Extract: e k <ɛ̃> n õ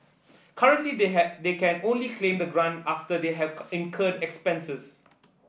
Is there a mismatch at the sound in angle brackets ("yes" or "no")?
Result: no